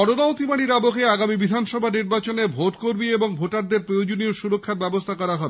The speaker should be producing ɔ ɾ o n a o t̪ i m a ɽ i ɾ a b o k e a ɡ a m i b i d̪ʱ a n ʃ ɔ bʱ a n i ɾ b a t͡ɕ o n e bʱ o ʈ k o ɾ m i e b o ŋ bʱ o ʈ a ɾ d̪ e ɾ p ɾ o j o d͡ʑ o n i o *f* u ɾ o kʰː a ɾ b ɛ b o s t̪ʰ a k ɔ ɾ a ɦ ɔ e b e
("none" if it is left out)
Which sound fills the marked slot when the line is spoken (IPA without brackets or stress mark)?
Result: ʃ